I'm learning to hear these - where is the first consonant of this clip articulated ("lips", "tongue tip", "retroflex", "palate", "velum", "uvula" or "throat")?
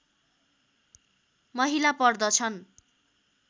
lips